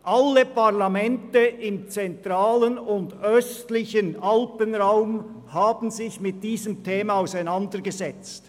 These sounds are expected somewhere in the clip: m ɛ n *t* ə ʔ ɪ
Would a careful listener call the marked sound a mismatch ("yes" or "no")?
no